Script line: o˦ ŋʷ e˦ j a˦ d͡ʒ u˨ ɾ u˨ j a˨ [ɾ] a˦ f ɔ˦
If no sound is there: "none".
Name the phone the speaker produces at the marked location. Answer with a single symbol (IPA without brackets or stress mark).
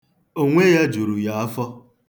none